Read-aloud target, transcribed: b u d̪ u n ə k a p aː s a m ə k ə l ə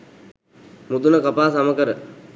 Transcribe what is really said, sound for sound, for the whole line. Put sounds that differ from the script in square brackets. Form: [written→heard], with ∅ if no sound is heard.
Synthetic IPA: [b→m] u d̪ u n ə k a p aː s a m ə k ə [l→ɾ] ə